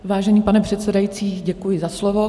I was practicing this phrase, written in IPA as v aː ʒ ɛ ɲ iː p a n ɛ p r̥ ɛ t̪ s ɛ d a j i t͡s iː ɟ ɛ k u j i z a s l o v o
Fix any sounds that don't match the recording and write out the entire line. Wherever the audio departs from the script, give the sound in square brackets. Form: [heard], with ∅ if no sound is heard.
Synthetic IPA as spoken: v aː ʒ ɛ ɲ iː p a n ɛ p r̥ ɛ t̪ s ɛ d a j i t͡s iː ɟ ɛ k u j [ɪ] z a s l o v o